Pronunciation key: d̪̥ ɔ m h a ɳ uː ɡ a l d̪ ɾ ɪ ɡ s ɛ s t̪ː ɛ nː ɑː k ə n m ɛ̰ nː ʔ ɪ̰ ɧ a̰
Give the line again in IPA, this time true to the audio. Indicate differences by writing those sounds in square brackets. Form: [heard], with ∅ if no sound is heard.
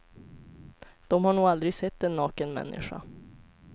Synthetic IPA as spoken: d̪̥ ɔ m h a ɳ uː ɡ a l d̪ ɾ ɪ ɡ s ɛ [∅] t̪ː ɛ nː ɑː k ə n m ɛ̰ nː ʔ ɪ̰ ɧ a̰